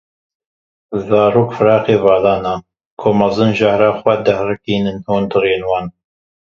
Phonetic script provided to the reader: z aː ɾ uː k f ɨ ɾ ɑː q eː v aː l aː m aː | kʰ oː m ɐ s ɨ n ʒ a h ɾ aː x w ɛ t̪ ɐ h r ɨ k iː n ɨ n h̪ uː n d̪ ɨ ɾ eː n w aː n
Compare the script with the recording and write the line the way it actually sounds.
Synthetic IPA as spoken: z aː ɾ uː k f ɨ ɾ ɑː q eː v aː l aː n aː | kʰ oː m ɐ z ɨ n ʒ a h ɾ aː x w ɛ d̪ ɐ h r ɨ k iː n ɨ n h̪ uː n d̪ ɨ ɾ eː n w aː n